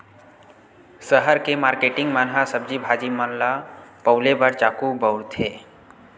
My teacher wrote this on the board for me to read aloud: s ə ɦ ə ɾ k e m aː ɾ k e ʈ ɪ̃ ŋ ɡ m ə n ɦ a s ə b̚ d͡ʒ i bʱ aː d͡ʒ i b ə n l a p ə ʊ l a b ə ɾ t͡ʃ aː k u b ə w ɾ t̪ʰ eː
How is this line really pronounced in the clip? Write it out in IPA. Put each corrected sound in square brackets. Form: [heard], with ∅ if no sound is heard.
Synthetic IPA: s ə ɦ ə ɾ k e m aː ɾ k e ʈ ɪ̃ ŋ ɡ m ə n ɦ a s ə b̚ d͡ʒ i bʱ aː d͡ʒ i [m] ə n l a p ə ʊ l [e] b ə ɾ t͡ʃ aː k u b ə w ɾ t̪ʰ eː